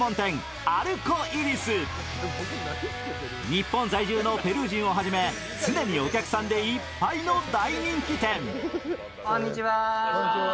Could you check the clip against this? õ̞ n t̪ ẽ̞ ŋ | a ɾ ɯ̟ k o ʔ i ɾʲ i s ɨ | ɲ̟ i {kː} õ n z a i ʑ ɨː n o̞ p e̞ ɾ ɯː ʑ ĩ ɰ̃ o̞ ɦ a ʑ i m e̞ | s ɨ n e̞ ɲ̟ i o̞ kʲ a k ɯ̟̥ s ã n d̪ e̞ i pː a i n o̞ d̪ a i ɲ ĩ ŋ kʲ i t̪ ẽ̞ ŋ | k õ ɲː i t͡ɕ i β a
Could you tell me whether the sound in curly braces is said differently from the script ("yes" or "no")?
yes